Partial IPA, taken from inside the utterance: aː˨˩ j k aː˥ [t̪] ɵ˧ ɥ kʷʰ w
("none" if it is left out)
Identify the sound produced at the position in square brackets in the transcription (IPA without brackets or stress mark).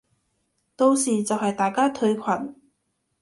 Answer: t̪ʰ